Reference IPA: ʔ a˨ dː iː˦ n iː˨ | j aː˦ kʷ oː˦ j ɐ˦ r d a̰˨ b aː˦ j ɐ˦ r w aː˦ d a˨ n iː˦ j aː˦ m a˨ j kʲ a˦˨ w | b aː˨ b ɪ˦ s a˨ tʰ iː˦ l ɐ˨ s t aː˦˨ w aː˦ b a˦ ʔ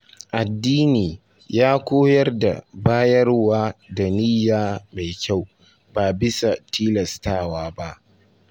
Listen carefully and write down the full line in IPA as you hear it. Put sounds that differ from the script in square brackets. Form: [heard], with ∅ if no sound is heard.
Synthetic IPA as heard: ʔ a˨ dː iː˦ n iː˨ | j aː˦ kʷ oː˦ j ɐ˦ r d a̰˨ b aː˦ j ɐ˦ r w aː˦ d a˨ n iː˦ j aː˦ m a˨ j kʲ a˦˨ w | b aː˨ b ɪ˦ s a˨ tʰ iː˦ l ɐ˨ s t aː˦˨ w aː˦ b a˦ ʔ